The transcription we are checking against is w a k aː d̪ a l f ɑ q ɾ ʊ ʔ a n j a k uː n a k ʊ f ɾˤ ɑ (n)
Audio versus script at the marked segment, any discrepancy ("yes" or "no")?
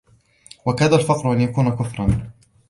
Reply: no